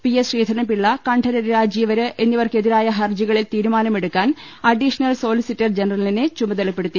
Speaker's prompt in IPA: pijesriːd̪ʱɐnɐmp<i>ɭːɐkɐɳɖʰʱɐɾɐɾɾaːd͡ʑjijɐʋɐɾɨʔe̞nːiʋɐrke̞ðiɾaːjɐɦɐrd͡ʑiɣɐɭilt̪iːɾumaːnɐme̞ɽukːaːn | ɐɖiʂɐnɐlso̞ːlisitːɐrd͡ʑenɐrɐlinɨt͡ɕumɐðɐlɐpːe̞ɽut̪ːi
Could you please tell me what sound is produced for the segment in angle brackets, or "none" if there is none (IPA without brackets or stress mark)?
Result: i